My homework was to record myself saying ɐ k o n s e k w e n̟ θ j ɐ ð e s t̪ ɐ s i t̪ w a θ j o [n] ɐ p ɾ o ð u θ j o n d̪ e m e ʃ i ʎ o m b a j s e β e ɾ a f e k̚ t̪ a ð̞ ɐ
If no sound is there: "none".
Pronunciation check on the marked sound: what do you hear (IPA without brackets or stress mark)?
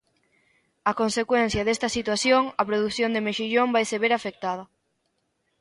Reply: ŋ